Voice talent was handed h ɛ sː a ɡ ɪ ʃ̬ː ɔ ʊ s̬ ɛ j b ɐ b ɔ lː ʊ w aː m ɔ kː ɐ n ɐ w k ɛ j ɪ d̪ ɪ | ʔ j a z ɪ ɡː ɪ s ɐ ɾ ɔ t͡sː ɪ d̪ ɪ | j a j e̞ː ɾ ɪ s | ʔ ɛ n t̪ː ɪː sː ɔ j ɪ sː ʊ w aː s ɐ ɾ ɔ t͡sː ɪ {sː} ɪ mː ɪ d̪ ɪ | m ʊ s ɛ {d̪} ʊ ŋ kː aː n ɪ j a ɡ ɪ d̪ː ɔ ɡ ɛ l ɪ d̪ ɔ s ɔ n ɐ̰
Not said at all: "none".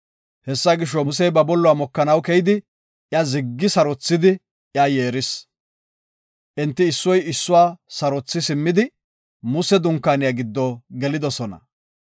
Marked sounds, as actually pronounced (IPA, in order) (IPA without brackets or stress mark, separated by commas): s, d̪